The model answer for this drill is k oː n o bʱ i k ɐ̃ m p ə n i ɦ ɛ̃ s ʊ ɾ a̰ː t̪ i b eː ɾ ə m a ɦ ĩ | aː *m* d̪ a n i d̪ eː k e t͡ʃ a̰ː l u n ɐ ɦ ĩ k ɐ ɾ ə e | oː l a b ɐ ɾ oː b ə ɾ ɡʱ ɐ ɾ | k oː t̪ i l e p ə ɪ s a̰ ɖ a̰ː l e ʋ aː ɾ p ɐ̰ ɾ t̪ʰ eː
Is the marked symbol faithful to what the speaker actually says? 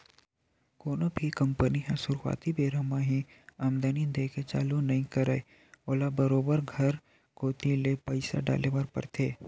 yes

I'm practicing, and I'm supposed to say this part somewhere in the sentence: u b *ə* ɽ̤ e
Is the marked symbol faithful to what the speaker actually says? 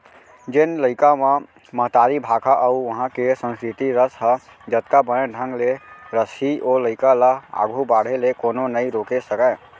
no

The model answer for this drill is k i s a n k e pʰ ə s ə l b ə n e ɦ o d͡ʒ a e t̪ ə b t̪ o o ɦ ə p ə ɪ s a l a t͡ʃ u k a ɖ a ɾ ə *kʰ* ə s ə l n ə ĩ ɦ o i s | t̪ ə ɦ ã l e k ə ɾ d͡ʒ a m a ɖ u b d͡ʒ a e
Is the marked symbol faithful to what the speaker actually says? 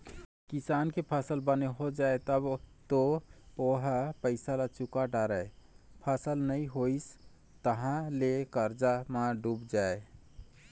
no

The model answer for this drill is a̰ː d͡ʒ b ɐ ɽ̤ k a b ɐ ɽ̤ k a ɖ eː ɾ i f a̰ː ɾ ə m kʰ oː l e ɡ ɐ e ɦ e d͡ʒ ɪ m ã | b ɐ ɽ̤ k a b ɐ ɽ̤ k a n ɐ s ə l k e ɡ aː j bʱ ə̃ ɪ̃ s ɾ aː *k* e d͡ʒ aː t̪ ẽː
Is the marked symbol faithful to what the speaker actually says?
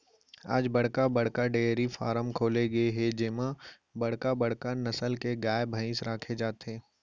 no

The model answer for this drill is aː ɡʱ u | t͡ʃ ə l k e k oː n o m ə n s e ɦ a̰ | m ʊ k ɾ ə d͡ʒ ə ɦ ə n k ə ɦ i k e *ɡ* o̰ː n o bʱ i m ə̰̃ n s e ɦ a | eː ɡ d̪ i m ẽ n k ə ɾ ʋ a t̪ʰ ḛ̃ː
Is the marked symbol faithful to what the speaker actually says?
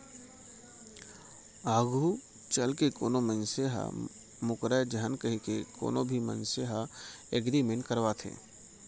no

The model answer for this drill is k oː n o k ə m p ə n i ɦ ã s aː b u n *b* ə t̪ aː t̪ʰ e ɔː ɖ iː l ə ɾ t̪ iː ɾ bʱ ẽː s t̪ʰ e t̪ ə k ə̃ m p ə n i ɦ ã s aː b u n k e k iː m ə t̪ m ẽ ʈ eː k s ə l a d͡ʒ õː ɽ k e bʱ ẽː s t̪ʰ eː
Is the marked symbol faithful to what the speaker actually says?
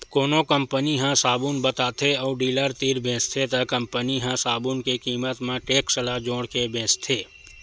yes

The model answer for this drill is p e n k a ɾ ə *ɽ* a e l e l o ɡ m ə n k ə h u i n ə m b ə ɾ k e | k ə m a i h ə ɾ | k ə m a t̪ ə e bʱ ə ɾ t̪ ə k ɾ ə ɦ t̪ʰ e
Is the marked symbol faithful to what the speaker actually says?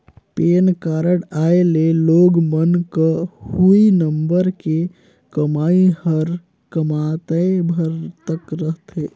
yes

